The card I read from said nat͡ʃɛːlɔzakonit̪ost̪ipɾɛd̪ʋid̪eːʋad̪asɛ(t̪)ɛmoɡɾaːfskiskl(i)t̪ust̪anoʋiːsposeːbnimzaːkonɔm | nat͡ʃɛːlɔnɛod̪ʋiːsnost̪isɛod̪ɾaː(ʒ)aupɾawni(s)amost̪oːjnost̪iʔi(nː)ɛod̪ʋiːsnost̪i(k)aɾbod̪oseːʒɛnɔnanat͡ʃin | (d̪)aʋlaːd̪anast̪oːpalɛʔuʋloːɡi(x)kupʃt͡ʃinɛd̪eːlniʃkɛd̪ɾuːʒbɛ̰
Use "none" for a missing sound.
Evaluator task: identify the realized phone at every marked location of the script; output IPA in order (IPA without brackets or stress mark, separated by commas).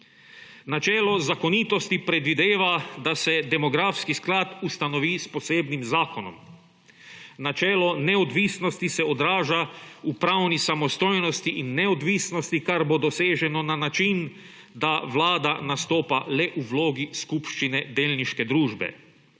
d̪, a, ʒ, s, nː, k, d̪, s